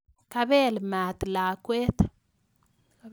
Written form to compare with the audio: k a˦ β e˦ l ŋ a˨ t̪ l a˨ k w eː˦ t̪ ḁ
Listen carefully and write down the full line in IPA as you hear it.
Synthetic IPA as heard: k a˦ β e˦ l m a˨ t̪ l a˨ k w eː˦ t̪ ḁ

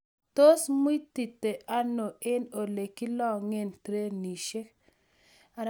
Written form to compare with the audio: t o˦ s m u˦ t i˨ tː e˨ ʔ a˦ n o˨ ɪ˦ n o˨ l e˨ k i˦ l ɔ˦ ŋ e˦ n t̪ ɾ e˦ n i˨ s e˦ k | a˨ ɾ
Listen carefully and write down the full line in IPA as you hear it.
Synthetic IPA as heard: t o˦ s m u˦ t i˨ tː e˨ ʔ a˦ n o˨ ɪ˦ n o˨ l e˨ k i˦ l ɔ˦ ŋ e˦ n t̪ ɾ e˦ n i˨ ʃ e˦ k | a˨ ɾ

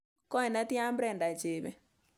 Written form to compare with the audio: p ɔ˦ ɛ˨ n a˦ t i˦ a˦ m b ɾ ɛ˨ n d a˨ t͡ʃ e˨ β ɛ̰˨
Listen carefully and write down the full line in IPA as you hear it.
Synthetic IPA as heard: k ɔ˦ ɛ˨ n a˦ t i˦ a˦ m b ɾ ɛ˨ n d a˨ t͡ʃ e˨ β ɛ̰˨

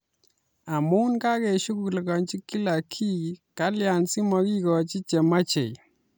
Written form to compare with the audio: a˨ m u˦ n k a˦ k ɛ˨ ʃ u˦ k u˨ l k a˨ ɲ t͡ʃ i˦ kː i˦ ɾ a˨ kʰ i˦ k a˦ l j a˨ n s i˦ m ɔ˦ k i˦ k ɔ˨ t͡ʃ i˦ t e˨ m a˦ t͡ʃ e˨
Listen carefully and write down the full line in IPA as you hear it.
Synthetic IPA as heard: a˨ m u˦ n k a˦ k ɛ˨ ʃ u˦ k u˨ l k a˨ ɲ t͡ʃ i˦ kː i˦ l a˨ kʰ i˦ k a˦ l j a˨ n s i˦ m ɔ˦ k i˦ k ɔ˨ t͡ʃ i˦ t͡ʃ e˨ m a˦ t͡ʃ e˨

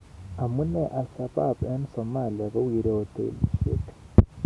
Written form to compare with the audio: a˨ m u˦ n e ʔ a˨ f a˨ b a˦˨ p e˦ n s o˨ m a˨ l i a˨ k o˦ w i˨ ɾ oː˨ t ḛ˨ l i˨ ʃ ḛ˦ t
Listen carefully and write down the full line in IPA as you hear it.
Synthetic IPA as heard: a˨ m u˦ n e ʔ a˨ s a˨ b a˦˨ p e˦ n s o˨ m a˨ l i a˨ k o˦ w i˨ ɾ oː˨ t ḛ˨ l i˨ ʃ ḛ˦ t

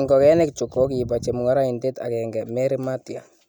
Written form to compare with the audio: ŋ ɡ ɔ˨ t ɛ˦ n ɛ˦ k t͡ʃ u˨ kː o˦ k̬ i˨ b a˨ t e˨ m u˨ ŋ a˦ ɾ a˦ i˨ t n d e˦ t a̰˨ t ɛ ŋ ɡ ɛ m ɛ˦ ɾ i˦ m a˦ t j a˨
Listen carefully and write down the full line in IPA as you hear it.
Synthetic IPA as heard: ŋ ɡ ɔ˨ k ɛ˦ n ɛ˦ k t͡ʃ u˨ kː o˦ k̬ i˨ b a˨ t͡ʃ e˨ m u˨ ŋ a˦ ɾ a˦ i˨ n d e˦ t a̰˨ k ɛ ŋ ɡ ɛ m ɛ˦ ɾ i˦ m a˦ t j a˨

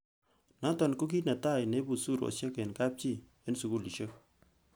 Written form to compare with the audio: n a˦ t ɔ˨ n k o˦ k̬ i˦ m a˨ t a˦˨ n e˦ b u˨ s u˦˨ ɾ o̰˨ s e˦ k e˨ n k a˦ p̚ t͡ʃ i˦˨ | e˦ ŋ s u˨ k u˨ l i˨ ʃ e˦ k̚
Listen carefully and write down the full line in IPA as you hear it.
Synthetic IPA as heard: n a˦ t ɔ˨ n k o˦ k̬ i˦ n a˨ t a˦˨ n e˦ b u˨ s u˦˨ ɾ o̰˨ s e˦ k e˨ n k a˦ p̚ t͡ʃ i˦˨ | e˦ n s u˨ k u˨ l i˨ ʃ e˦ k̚

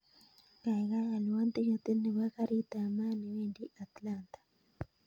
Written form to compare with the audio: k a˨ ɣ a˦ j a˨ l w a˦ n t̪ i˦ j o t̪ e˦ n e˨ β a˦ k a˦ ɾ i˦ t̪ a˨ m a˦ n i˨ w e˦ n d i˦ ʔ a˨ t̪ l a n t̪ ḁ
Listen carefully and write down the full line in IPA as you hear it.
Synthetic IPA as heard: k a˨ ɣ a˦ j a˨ l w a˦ n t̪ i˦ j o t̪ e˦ n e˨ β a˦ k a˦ ɾ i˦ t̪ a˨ m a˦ n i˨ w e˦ n d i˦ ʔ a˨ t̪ l a n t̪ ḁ

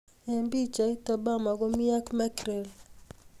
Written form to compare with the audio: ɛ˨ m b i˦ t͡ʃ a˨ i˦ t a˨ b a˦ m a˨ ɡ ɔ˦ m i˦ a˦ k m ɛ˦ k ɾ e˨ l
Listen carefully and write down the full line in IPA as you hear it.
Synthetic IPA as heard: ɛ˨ m b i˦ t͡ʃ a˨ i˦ t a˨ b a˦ m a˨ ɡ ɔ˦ m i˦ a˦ k m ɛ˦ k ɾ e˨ l

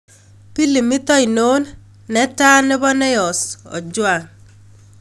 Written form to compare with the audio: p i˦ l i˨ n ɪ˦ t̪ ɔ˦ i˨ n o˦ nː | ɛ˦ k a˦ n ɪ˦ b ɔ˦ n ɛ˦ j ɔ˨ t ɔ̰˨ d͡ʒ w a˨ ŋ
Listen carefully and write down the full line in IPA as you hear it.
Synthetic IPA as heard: p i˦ l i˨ m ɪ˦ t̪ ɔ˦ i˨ n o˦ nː | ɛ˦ t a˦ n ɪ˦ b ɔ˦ n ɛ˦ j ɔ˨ s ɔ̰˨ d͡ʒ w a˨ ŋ

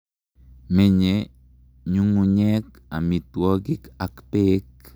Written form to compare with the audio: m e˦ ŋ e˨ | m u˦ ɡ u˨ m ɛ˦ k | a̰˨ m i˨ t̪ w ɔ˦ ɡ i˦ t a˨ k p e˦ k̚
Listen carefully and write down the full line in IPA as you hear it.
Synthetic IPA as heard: m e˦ ɲ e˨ | ɲ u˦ ŋ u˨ ɲ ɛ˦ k | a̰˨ m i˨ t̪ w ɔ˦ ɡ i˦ k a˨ k p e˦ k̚

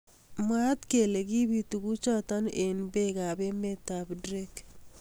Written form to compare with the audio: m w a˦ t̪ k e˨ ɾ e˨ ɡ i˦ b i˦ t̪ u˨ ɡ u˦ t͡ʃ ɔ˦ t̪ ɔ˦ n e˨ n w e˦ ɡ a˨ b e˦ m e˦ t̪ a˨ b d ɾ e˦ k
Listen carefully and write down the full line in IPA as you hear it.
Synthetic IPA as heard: m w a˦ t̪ k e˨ l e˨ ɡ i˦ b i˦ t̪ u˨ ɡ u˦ t͡ʃ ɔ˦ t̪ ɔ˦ n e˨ n b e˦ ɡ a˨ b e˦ m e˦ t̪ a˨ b d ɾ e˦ k

